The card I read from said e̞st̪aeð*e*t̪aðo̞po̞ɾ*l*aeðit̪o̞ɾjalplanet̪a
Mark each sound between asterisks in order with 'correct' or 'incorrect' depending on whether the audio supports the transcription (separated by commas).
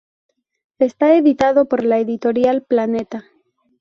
incorrect, correct